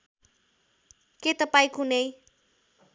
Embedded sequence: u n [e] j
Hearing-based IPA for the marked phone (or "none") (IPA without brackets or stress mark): e